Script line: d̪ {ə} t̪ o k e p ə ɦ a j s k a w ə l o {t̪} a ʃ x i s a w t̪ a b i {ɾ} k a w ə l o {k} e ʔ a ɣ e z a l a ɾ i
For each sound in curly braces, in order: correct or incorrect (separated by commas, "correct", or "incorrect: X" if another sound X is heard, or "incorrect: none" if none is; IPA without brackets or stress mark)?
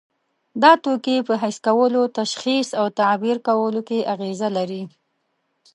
incorrect: ɑ, correct, correct, correct